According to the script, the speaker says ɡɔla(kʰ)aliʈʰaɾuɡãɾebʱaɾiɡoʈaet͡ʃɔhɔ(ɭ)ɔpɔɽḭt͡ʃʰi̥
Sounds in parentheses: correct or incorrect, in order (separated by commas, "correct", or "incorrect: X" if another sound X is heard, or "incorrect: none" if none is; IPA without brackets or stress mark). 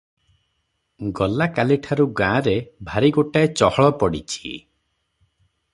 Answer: incorrect: k, correct